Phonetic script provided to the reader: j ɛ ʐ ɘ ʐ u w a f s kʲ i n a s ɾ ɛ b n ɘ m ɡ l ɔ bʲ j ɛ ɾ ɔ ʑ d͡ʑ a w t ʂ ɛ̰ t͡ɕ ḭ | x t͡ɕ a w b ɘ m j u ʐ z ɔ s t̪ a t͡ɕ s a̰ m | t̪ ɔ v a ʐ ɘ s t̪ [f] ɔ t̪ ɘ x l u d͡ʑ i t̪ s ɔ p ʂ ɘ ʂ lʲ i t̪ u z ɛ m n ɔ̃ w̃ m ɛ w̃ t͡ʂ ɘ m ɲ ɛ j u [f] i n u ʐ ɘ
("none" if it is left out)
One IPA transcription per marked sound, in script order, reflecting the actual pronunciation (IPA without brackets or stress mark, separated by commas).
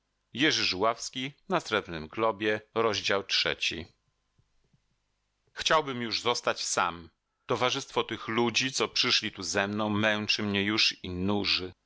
f, ʂ